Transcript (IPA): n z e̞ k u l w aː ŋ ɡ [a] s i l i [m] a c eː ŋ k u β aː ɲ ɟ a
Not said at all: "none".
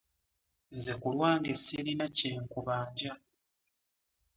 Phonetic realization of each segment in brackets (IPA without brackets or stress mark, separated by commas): e, n